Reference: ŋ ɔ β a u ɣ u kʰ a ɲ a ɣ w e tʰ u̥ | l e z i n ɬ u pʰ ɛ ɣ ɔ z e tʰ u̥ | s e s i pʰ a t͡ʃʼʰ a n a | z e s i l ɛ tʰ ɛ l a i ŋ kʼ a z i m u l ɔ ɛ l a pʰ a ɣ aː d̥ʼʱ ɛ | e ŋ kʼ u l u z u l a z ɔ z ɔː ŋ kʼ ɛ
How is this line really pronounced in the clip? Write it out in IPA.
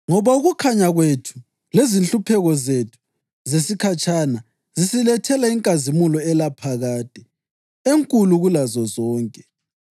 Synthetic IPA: ŋ ɔ β a u ɣ u kʰ a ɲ a ɣ w e tʰ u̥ | l e z i n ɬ u pʰ ɛ ɣ ɔ z e tʰ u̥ | z e s i kʰ a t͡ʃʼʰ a n a | z i s i l ɛ tʰ ɛ l a i ŋ kʼ a z i m u l ɔ ɛ l a pʰ a ɣ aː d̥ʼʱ ɛ | e ŋ kʼ u l u ɣ u l a z ɔ z ɔː ŋ kʼ ɛ